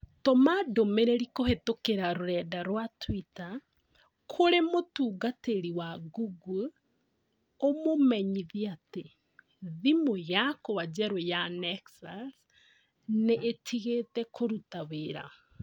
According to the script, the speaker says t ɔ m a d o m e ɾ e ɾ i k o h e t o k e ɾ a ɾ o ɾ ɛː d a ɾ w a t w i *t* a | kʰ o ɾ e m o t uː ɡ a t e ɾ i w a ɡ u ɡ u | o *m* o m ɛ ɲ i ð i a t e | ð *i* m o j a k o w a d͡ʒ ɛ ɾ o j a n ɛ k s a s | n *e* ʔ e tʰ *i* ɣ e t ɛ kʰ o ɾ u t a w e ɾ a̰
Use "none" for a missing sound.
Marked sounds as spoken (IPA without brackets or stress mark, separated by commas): t, m, i, e, i